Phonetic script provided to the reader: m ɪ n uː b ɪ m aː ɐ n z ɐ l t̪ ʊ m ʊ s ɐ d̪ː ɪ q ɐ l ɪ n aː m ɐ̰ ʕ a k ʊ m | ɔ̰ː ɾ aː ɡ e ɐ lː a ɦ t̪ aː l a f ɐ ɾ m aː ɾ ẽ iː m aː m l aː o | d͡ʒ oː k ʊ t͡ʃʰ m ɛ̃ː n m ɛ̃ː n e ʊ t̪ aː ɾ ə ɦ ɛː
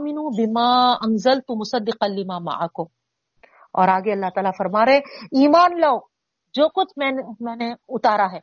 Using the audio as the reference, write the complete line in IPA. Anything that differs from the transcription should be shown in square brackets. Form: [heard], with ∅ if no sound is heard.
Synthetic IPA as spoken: m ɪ n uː b ɪ m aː ɐ n z ɐ l t̪ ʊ m ʊ s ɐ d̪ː ɪ q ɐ l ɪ [m] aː m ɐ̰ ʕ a k ʊ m | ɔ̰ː ɾ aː ɡ e ɐ lː a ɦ t̪ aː l a f ɐ ɾ m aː ɾ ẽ iː m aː [n] l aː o | d͡ʒ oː k ʊ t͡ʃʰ m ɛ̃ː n m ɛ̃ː n e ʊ t̪ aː ɾ [a] ɦ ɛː